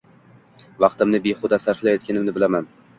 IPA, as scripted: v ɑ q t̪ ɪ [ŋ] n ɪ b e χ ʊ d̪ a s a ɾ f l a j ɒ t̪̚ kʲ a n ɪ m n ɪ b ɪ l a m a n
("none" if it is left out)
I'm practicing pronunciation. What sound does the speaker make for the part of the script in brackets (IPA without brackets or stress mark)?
m